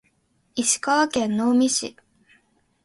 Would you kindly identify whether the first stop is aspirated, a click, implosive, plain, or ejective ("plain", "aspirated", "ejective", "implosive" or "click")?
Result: plain